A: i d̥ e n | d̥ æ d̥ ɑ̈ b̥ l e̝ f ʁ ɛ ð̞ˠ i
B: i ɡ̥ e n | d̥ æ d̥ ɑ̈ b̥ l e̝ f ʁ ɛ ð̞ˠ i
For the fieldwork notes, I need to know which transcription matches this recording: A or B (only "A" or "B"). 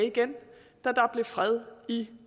B